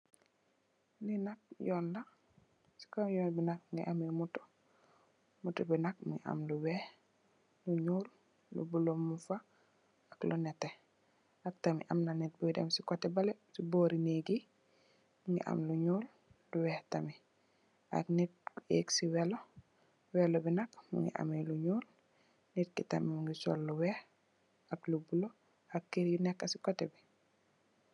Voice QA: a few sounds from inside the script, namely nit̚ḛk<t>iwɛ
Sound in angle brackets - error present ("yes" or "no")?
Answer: yes